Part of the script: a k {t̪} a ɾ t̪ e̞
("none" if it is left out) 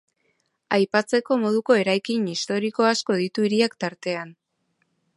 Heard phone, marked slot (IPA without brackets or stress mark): t̪